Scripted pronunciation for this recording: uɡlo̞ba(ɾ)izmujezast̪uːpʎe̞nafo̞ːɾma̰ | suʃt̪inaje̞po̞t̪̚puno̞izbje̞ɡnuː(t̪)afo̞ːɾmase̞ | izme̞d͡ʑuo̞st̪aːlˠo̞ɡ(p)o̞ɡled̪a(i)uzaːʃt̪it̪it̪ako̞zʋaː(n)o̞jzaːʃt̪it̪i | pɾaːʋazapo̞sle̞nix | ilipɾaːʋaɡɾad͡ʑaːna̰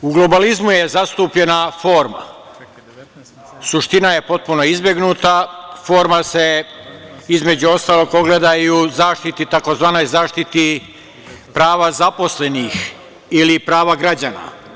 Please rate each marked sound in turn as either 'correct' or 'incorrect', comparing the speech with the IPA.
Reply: incorrect: l, correct, correct, incorrect: j, correct

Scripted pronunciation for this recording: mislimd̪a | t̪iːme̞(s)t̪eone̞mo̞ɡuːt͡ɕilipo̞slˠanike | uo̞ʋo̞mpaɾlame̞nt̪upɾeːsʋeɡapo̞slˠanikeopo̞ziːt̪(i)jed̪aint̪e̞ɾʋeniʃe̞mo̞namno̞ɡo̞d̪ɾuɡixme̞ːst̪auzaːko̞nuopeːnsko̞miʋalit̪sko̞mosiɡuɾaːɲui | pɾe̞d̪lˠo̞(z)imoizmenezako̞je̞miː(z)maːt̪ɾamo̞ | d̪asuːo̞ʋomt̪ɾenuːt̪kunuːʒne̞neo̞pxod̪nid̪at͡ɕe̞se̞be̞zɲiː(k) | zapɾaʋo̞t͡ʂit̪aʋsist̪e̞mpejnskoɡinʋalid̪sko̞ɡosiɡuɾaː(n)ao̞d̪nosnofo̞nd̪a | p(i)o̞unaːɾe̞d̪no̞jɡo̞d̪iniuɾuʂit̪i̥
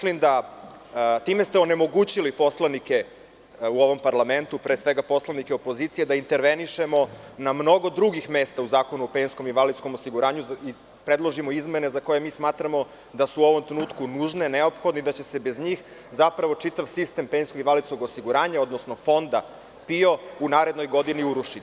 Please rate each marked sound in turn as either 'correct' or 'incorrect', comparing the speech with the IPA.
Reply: correct, correct, incorrect: ʒ, incorrect: s, incorrect: x, incorrect: ɲ, correct

